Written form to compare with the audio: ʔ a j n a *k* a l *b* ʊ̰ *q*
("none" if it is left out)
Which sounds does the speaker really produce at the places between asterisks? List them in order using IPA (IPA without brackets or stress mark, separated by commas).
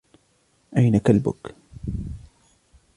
k, b, k